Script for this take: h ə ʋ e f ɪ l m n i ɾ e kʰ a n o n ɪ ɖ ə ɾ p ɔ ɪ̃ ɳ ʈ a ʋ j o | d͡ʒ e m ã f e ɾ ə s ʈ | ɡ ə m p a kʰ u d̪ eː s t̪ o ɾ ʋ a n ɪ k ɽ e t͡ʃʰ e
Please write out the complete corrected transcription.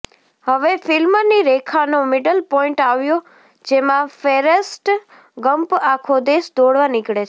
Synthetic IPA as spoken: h ə ʋ e f ɪ l m n i ɾ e kʰ a n o m ɪ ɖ ə l p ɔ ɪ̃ ɳ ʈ a ʋ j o | d͡ʒ e m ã f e ɾ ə s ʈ | ɡ ə m p a kʰ o d̪ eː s d̪ o ɽ ʋ a n ɪ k ɽ e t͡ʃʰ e